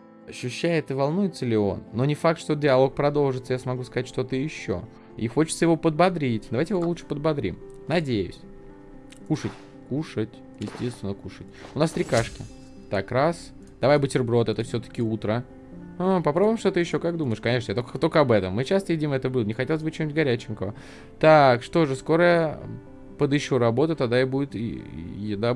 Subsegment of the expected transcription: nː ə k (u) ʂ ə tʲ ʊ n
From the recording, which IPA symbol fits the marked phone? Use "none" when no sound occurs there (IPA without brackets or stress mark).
u